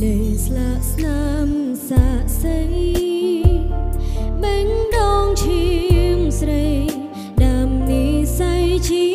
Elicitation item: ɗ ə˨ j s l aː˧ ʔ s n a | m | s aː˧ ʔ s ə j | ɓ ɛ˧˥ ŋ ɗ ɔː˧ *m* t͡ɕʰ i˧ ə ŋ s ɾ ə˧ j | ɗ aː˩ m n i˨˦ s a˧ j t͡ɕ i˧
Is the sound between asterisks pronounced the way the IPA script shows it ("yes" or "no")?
no